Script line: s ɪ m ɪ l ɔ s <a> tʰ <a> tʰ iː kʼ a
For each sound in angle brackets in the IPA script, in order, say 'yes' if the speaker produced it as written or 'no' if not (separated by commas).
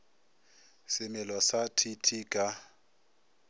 yes, no